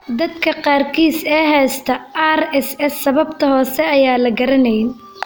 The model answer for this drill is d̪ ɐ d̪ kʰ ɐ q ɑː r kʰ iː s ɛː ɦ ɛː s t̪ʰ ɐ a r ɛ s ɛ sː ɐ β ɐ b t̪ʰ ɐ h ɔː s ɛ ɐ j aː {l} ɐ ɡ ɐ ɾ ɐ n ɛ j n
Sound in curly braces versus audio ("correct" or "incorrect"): correct